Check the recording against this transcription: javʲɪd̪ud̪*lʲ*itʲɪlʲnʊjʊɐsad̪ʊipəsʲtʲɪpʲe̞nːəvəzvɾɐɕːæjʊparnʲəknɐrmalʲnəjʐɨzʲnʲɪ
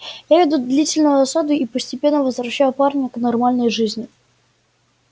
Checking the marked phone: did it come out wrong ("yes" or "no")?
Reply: no